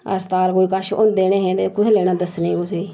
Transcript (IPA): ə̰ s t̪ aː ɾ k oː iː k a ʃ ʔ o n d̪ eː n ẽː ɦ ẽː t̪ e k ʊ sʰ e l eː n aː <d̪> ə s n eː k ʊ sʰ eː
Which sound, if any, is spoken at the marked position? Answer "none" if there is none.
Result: d̪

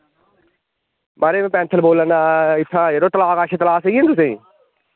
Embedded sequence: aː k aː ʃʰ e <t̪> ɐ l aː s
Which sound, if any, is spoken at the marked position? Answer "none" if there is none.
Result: t̪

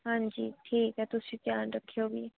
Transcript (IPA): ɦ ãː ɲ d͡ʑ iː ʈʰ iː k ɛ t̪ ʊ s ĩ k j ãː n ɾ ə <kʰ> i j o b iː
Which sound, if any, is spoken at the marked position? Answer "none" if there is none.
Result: kʰ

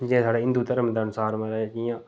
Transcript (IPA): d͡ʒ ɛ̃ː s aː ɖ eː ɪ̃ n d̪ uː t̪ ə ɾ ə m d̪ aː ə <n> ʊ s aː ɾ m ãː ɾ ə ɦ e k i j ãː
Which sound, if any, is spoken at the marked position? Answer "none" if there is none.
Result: n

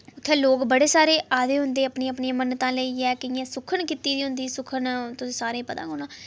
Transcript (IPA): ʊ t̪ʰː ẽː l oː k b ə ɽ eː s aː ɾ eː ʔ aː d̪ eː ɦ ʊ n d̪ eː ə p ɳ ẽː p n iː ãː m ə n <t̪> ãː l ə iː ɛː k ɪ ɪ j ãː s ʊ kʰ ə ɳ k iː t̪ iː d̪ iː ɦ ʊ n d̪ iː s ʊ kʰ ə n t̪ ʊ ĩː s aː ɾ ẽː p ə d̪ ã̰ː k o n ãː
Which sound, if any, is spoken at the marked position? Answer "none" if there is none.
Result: t̪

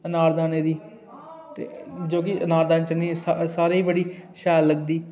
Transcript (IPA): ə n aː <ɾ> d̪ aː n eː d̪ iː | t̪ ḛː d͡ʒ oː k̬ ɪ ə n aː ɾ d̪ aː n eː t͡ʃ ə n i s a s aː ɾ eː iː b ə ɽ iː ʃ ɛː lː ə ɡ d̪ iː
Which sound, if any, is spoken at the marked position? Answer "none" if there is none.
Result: ɾ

